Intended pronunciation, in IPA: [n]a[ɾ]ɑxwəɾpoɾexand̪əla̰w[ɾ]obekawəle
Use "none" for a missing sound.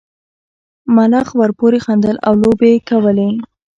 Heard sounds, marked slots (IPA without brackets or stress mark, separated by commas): m, l, l